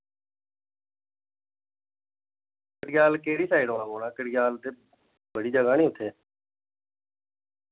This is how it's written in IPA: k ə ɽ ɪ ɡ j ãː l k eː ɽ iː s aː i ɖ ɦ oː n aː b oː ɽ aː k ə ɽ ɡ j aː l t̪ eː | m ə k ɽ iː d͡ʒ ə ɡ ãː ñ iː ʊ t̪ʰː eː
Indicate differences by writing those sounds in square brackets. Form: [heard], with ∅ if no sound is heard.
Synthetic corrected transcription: k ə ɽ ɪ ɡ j [aː] l k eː ɽ iː s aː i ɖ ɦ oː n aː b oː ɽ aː k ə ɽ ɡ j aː l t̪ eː | [b] ə [∅] ɽ iː d͡ʒ ə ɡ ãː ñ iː ʊ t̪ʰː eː